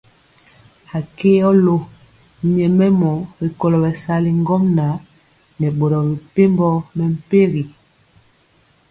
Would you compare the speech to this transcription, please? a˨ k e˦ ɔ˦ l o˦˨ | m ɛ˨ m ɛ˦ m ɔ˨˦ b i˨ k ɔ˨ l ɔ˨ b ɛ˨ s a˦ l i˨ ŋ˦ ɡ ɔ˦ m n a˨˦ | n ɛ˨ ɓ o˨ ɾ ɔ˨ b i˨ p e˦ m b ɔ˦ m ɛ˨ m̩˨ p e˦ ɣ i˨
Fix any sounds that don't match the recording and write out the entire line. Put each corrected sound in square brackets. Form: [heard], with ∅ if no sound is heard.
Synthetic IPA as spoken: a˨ k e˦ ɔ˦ l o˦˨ | [ɲ] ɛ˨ m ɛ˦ m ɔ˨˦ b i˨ k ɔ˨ l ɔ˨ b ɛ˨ s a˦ l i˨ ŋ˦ ɡ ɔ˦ m n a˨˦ | n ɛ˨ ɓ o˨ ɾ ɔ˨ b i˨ p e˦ m b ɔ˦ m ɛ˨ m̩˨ p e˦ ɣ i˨